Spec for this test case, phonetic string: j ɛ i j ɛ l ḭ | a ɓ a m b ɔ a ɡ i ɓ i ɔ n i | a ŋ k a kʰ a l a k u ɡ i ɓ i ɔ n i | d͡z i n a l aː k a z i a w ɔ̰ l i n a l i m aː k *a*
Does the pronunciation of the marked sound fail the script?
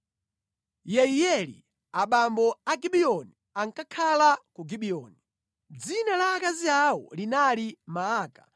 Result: no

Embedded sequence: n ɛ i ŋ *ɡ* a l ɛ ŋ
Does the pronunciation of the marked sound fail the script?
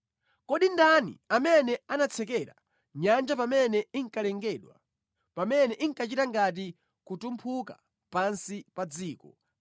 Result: yes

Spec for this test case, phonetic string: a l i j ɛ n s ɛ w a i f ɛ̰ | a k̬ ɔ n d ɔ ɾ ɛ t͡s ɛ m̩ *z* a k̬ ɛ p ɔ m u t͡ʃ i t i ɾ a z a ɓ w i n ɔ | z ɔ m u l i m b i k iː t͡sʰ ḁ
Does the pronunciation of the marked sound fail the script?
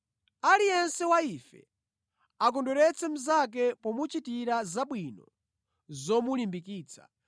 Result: no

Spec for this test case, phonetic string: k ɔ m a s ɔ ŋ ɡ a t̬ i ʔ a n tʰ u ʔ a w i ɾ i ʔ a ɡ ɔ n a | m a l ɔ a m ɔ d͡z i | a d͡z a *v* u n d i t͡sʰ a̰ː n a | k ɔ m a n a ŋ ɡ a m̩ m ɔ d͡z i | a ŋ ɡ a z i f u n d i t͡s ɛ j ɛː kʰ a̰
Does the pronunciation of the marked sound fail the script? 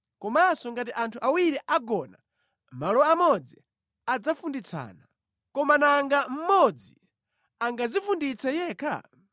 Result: yes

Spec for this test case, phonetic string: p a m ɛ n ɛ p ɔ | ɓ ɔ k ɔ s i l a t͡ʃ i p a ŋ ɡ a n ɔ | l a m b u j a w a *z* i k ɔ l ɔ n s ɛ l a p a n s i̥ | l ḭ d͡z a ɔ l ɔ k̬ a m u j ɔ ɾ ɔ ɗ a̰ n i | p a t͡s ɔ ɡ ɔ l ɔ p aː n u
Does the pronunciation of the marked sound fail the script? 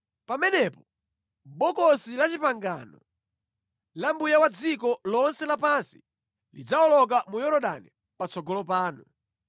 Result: yes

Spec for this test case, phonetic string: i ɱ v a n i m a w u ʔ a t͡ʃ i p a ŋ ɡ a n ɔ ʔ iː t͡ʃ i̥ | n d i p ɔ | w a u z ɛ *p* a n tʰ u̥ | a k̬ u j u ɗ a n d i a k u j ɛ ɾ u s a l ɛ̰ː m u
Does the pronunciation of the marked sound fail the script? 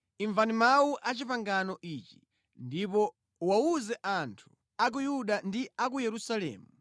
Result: yes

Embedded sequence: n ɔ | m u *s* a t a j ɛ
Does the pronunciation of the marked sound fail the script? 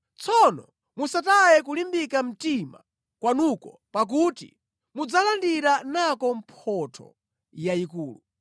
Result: no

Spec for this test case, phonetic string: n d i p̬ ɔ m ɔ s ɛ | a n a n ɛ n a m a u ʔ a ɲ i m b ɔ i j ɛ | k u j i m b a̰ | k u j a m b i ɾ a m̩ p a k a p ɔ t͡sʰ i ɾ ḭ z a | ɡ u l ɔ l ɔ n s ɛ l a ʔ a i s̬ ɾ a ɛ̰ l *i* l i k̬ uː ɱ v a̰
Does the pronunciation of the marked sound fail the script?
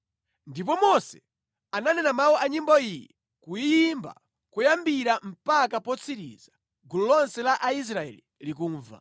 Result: no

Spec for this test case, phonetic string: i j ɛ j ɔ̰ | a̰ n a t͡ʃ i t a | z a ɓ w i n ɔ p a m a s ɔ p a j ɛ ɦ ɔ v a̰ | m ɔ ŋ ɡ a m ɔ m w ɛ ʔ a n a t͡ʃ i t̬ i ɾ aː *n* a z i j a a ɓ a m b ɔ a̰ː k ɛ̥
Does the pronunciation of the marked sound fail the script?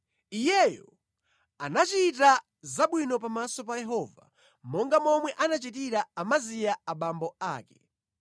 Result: yes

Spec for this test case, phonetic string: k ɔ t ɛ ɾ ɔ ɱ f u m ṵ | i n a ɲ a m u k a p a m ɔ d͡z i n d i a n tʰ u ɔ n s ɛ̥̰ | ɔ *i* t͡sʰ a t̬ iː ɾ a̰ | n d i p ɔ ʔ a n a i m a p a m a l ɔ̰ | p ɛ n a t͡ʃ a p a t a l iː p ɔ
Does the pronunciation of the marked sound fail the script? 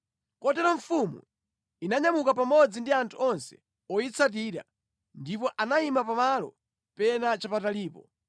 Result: no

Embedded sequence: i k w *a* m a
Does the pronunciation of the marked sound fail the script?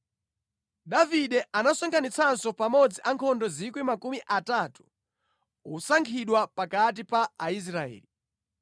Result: yes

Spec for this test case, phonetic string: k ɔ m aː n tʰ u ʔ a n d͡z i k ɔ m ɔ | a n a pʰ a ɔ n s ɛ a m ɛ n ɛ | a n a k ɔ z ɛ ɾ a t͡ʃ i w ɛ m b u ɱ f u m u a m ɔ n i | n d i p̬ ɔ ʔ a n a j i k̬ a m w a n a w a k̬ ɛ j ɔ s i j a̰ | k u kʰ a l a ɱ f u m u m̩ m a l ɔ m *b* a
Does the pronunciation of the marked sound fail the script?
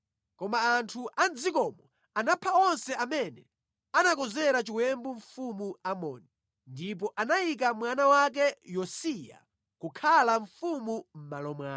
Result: yes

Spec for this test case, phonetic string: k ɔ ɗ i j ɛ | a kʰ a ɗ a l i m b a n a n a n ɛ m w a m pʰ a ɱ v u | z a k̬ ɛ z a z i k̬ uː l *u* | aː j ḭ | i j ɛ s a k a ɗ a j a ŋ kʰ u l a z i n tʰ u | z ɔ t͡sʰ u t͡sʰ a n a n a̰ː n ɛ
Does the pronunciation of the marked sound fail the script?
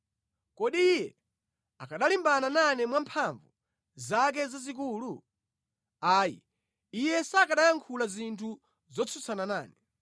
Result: no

